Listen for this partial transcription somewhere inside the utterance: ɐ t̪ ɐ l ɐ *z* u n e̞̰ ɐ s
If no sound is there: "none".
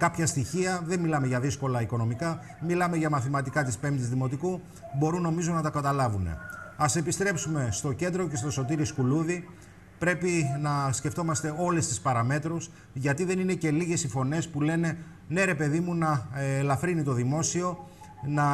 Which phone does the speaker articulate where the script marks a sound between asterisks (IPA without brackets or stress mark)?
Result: v